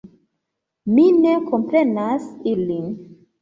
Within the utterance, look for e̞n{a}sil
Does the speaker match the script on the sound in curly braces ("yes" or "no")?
yes